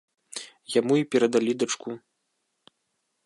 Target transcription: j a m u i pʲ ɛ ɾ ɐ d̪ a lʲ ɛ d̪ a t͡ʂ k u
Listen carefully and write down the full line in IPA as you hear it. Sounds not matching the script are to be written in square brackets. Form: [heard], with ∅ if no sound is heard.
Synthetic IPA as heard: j a m u i pʲ ɛ ɾ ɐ d̪ a lʲ [i] d̪ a t͡ʂ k u